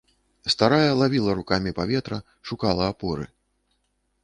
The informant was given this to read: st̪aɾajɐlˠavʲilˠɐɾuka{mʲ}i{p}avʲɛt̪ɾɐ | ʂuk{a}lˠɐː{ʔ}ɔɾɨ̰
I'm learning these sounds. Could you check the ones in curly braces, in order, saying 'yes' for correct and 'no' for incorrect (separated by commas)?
yes, yes, yes, no